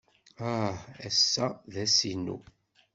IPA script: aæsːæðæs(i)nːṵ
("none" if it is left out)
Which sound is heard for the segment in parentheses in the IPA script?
i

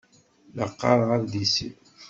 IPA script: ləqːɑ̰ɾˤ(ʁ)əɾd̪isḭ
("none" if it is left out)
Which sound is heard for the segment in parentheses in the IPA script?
ʁ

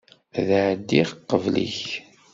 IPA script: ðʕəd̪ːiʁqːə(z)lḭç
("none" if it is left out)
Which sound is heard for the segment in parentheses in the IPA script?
v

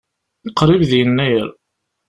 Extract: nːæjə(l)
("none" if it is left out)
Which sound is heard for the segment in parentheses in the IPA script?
ɾ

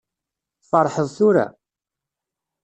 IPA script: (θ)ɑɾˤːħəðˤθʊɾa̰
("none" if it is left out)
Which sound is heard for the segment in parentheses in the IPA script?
f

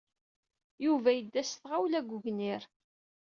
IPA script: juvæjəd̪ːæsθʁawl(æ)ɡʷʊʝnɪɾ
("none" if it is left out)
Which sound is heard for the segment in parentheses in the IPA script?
æ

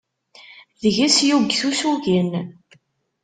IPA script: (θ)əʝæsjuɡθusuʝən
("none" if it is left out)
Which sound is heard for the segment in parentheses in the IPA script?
ð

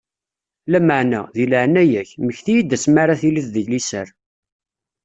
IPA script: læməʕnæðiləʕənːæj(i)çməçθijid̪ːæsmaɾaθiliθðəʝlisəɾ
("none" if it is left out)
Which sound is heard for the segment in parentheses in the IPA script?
æ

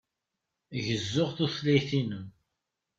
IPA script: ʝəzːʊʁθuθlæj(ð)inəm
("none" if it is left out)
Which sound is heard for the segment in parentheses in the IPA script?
θ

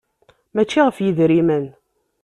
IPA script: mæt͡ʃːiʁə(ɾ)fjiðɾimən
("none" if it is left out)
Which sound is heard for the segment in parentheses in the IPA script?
none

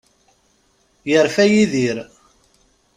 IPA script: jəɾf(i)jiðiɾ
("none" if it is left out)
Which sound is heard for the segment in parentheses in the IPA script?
æ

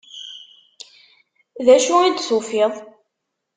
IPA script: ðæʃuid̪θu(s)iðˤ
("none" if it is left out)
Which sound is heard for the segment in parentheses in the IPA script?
f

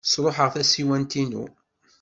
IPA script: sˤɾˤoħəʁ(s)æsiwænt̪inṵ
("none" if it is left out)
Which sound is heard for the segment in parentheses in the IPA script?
θ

